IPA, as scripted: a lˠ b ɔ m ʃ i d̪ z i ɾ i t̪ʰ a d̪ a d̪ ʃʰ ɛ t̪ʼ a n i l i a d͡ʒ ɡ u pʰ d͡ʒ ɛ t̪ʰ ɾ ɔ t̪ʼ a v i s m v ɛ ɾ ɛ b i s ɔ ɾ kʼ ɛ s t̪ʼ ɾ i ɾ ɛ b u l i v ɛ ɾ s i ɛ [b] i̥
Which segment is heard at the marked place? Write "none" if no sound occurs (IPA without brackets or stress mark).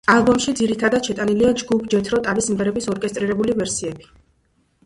b